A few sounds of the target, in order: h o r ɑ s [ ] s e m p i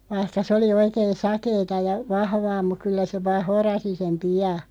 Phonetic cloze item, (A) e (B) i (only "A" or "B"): B